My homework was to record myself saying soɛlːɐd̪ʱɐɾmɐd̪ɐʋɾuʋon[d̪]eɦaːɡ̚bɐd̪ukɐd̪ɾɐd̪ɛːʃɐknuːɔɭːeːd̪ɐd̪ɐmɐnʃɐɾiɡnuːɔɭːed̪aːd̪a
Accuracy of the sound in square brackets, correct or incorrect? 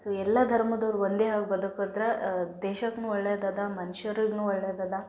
correct